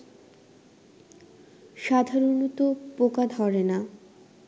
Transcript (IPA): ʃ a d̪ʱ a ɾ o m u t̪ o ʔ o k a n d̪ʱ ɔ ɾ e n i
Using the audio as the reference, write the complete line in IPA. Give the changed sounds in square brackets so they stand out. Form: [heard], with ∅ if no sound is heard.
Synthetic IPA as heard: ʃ a d̪ʱ a ɾ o [n] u t̪ o [p] o k a [∅] d̪ʱ ɔ ɾ e n [a]